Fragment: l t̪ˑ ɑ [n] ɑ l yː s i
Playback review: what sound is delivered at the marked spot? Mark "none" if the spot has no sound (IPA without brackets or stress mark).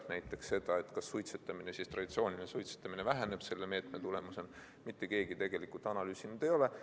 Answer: n